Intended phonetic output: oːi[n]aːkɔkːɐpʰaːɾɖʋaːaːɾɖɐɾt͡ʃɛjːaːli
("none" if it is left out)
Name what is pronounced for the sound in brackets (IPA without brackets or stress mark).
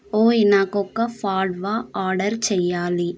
n